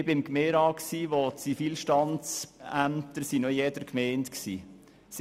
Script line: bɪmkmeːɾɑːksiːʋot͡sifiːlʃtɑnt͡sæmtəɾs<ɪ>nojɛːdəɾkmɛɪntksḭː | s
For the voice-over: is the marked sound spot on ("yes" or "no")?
no